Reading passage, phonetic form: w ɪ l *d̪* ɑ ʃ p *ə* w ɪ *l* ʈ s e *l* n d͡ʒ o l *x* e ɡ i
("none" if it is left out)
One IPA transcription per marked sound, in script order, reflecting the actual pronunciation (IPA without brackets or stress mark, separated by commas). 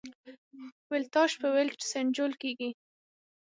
t̪, ə, l, none, k